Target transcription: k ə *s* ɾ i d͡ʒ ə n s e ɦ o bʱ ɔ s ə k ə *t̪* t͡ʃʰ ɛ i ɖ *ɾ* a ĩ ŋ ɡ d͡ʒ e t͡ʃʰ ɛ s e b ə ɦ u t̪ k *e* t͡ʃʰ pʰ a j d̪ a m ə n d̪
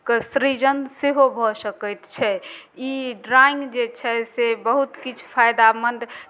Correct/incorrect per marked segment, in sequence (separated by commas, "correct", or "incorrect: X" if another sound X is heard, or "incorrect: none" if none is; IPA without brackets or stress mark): correct, correct, correct, incorrect: i